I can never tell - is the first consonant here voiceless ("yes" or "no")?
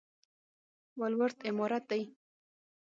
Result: no